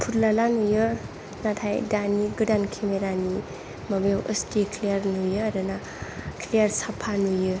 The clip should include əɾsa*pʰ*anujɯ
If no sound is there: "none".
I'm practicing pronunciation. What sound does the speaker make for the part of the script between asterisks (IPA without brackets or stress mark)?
pʰ